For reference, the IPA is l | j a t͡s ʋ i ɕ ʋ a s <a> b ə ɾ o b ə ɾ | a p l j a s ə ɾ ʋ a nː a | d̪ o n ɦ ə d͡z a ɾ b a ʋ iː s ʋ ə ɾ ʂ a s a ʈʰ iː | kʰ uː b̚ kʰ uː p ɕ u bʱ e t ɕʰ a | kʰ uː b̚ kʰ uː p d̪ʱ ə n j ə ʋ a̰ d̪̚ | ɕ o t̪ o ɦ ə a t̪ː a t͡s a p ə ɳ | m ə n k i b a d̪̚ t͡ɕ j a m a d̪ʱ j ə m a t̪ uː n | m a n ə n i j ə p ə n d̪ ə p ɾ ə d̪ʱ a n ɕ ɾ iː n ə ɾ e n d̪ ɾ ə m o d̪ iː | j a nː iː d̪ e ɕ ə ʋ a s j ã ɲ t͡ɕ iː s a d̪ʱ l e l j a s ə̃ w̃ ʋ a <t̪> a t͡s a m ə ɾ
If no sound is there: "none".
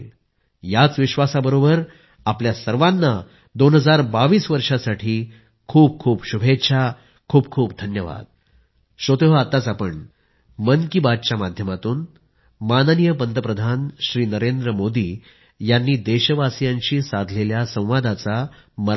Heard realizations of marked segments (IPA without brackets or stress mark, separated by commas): a, d̪